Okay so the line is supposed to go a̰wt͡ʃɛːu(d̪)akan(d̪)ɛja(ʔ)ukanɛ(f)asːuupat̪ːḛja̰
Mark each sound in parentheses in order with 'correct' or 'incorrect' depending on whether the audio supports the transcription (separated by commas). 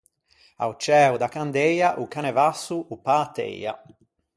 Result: correct, correct, correct, incorrect